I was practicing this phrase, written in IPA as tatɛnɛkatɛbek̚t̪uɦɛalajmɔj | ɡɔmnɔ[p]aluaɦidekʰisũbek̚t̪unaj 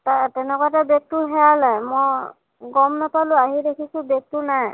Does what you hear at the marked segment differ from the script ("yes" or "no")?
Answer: no